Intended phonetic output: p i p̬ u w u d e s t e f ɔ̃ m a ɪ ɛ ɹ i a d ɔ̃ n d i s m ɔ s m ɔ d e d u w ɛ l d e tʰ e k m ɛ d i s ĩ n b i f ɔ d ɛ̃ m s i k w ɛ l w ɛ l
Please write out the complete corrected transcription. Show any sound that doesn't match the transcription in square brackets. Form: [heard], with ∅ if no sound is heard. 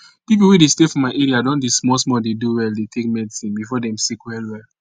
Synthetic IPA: p i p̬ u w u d e s t e f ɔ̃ m a ɪ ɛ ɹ i a d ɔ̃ n d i s m ɔ s m ɔ d e d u w ɛ l d e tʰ e k m ɛ d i s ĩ n b i f ɔ d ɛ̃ m s i k w ɛ l w ɛ l